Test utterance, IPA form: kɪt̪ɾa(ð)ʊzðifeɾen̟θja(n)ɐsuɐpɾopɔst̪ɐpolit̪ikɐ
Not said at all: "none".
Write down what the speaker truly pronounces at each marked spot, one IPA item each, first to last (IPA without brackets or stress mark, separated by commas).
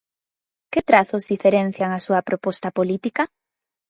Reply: θ, ŋ